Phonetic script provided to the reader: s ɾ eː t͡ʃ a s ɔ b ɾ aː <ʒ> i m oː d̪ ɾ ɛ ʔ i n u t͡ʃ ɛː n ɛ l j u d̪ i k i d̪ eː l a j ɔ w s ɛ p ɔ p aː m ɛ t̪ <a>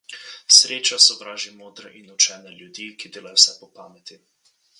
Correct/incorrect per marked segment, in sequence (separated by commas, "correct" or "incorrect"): correct, incorrect